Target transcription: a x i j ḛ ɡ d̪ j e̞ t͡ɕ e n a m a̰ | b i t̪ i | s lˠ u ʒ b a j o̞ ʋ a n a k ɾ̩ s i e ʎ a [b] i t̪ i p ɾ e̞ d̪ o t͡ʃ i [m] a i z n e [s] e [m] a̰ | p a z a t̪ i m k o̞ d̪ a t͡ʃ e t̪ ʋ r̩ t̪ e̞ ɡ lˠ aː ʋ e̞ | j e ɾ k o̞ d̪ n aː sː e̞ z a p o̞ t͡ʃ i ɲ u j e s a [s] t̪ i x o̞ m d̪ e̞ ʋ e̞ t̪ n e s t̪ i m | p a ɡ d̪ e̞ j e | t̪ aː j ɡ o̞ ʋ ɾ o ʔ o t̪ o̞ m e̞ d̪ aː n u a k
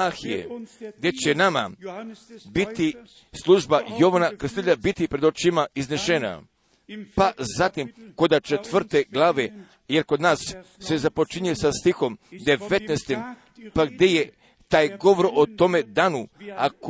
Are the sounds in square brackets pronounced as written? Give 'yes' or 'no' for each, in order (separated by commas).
yes, yes, no, no, yes